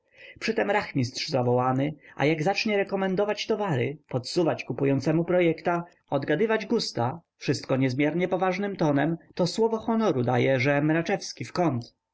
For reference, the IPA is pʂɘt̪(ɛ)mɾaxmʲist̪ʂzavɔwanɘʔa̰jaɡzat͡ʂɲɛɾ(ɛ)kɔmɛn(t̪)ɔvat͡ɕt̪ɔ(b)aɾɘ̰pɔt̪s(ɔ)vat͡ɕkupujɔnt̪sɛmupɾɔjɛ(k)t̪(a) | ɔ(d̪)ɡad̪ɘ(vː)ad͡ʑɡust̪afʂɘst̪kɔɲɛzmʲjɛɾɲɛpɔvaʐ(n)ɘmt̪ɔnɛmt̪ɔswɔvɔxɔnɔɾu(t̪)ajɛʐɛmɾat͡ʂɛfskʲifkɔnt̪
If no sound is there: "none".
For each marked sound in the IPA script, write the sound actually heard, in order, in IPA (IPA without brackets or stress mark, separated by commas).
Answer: ɛ, ɛ, d̪, v, u, k, a, d̪, v, n, d̪